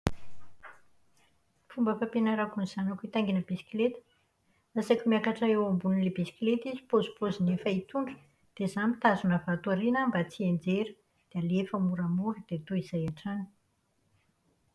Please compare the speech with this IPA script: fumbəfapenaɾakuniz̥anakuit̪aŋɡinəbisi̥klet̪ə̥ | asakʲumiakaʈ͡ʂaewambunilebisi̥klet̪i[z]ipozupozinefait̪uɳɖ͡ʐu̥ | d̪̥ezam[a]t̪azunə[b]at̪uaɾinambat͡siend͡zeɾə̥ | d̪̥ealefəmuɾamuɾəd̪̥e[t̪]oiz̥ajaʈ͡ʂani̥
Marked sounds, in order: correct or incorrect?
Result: correct, incorrect, incorrect, correct

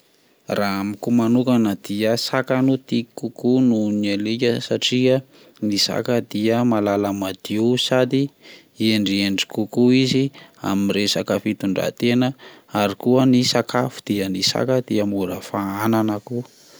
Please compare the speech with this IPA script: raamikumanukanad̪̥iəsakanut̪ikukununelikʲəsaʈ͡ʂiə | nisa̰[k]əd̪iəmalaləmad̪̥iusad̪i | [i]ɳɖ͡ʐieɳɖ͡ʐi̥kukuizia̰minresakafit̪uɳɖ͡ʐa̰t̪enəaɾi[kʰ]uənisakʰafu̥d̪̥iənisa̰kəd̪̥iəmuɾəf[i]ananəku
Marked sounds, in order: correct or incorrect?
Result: correct, incorrect, incorrect, incorrect

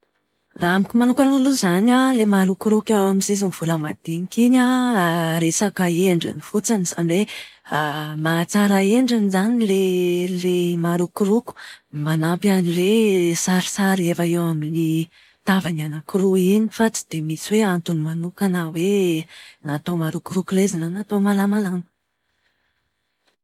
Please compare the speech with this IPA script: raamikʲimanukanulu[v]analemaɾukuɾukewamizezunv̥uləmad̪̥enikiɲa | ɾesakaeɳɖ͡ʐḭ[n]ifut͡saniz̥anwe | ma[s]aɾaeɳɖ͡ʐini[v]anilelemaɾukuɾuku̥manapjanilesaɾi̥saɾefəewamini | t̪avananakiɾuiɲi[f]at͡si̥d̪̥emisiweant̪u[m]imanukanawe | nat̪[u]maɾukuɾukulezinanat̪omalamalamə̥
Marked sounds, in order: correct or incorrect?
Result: incorrect, correct, incorrect, incorrect, correct, incorrect, incorrect

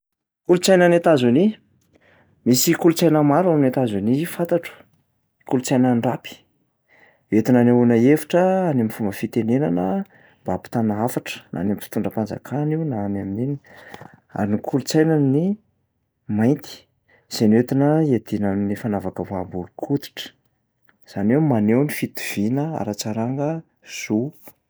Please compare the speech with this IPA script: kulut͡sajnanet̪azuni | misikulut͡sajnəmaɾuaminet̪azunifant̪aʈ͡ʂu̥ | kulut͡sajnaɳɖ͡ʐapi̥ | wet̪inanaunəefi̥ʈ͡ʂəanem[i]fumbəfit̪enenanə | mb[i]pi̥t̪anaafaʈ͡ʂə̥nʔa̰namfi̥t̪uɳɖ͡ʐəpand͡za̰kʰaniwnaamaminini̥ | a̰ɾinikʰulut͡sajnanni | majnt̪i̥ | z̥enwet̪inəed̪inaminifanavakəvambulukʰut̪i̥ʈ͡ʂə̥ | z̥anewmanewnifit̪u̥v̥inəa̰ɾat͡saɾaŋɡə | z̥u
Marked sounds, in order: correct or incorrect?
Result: correct, incorrect

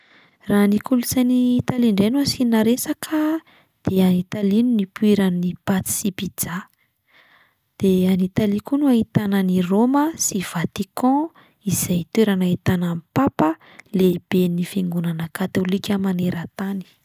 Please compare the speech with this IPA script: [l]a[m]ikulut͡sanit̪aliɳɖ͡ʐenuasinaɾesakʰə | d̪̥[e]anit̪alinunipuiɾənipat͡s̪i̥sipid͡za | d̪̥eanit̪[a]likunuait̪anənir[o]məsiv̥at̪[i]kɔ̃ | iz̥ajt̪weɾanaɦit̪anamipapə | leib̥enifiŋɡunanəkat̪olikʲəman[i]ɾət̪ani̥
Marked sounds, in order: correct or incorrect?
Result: incorrect, incorrect, correct, correct, correct, correct, incorrect

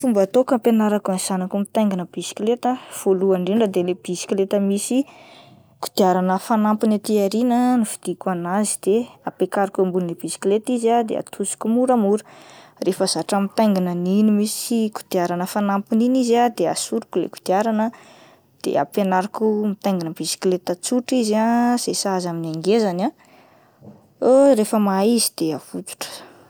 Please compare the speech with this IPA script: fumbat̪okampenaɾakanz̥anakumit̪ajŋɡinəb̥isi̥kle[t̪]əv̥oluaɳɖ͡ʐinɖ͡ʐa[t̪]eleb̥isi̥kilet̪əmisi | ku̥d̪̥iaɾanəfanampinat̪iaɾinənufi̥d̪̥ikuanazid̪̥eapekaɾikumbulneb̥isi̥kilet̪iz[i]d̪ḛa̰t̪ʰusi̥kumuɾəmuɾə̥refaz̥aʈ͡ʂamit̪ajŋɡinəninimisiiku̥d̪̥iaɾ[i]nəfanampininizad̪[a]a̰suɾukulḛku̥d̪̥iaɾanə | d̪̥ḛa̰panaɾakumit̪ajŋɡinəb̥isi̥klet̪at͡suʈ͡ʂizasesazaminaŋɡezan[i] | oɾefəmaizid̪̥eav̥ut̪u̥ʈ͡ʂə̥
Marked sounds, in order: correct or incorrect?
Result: correct, incorrect, incorrect, incorrect, incorrect, incorrect

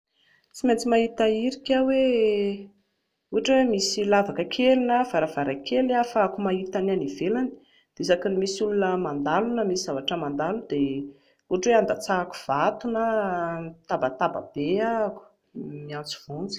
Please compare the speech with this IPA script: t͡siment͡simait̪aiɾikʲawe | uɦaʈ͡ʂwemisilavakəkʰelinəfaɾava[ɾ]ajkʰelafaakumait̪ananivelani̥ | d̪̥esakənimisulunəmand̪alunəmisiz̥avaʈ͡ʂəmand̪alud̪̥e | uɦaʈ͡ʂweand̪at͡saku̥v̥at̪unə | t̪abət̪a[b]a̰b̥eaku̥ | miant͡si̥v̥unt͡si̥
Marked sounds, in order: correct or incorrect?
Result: correct, correct

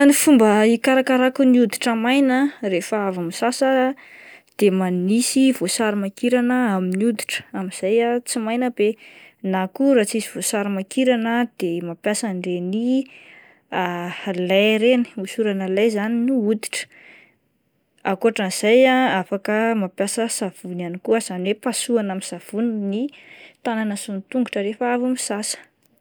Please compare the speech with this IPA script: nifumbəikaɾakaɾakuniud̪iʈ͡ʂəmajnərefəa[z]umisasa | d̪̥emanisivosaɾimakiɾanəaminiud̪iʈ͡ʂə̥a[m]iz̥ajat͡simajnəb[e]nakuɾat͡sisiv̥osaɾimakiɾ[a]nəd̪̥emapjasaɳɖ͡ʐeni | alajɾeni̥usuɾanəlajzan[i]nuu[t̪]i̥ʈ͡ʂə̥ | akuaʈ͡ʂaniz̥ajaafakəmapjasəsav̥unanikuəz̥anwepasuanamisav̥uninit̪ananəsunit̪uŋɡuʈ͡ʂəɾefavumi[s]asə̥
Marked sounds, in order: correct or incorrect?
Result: incorrect, correct, correct, correct, correct, incorrect, correct

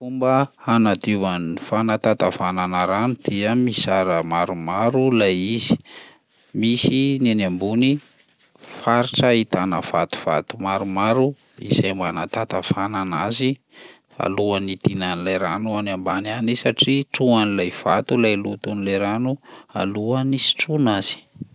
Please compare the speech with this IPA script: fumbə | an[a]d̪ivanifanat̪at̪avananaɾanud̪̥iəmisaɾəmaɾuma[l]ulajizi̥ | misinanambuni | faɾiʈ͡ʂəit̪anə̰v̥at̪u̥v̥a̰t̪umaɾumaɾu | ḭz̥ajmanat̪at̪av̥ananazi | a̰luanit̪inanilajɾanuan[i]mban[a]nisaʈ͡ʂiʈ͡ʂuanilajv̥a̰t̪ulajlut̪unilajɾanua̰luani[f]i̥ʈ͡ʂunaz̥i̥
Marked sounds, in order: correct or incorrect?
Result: correct, incorrect, incorrect, correct, incorrect

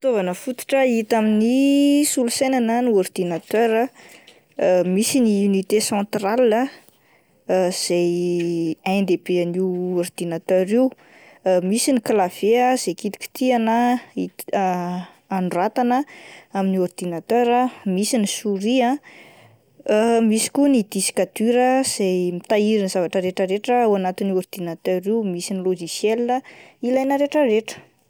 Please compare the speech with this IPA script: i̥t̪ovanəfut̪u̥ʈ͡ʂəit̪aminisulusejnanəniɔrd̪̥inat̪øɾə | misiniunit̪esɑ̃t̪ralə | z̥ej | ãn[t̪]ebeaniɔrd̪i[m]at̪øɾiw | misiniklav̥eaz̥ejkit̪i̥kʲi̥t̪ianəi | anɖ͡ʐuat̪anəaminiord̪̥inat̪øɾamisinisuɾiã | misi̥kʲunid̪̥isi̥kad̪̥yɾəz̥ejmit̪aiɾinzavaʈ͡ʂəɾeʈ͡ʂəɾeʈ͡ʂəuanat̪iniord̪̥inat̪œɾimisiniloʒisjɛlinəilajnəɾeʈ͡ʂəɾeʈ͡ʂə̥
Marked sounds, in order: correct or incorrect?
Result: incorrect, incorrect

